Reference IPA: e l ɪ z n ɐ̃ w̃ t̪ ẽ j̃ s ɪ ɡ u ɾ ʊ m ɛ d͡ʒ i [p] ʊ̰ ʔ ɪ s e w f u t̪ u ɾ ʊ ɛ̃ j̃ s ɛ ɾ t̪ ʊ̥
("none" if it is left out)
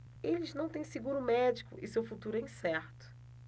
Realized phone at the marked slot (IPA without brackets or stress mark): k